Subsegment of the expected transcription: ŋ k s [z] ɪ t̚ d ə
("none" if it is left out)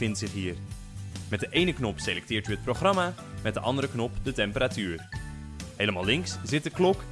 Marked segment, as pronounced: z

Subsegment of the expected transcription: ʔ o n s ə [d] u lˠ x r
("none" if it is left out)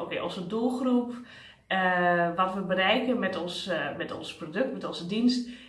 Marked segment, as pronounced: d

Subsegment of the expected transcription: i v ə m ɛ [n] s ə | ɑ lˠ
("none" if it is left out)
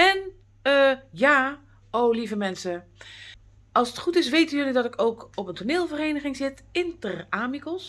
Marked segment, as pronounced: n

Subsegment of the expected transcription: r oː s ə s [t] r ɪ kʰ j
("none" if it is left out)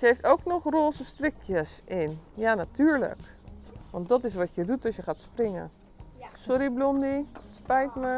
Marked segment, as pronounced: t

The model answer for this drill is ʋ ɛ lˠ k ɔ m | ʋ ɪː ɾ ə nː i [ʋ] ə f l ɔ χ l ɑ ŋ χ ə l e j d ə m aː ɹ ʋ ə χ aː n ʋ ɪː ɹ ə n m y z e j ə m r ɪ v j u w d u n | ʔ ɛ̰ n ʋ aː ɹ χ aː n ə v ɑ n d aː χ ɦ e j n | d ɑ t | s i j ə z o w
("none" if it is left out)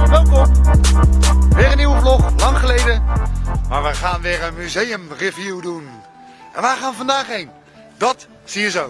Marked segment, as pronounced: w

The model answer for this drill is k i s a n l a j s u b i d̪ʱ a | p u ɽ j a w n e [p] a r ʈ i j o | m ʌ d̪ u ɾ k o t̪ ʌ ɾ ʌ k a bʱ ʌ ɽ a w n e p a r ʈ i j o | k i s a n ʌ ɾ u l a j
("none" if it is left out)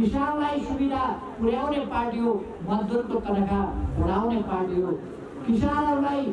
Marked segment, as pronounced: p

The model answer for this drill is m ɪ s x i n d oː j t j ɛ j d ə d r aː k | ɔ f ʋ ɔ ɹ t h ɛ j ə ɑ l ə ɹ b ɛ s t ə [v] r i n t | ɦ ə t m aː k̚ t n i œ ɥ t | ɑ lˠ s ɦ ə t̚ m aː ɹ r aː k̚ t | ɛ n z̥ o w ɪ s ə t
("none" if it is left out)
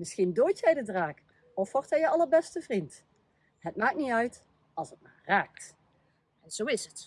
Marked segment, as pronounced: v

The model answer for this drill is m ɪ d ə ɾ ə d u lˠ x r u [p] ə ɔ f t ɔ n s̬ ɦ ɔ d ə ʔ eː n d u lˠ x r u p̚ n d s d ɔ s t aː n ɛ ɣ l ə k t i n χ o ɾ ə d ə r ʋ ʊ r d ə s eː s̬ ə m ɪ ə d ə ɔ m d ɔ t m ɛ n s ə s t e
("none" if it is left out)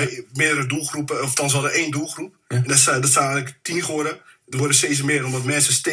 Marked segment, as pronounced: p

